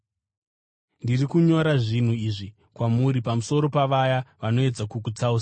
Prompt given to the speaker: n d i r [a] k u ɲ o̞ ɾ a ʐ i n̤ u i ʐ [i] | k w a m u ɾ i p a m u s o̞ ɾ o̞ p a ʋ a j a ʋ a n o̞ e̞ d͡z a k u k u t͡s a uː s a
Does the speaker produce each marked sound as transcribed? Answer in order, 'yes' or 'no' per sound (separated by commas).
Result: no, yes